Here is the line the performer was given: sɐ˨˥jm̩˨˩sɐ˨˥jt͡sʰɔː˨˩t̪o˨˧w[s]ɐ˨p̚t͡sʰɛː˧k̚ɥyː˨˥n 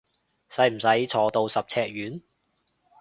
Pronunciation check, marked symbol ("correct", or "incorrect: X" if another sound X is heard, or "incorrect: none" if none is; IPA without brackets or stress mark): correct